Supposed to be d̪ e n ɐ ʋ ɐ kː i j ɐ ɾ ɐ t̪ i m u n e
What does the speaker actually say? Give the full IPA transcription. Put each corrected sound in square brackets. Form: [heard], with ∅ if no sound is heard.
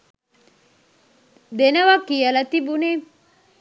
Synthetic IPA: d̪ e n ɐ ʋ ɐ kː i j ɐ [l] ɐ t̪ i [b] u n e